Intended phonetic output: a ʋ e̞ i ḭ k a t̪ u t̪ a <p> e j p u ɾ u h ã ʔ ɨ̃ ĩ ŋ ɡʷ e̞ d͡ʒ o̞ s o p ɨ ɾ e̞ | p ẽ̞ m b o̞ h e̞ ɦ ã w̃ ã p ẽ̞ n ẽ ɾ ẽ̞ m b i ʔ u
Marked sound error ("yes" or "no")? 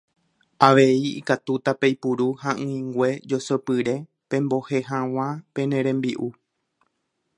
no